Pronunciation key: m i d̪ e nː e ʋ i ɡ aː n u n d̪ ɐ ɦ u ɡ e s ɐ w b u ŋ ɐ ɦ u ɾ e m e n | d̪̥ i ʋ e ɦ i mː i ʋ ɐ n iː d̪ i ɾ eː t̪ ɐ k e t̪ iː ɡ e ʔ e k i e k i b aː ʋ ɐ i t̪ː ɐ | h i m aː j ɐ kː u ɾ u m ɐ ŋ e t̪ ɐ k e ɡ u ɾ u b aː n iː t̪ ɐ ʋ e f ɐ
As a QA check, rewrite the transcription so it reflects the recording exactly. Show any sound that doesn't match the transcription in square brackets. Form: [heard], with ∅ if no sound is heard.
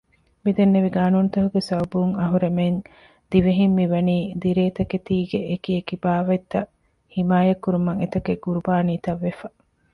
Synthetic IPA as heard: m i d̪ e nː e ʋ i ɡ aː n u n [t̪] ɐ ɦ u ɡ e s ɐ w b u ŋ ɐ ɦ u ɾ e m e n | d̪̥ i ʋ e ɦ i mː i ʋ ɐ n iː d̪ i ɾ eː t̪ ɐ k e t̪ iː ɡ e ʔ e k i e k i b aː ʋ ɐ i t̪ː ɐ | h i m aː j ɐ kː u ɾ u m ɐ ŋ e t̪ ɐ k e ɡ u ɾ u b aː n iː t̪ ɐ [ʋː] e f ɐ